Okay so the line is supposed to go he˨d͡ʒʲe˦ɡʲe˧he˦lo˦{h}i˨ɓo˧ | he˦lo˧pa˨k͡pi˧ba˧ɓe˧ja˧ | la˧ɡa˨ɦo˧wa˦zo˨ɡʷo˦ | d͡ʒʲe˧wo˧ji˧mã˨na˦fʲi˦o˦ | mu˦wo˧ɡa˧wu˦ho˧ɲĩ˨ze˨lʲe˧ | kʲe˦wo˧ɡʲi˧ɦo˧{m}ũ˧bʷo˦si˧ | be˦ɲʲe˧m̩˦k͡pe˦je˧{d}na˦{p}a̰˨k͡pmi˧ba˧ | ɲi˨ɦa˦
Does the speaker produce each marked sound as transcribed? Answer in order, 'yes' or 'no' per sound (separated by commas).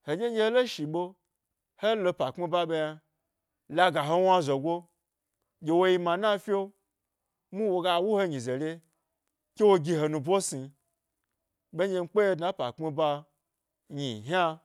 no, no, yes, yes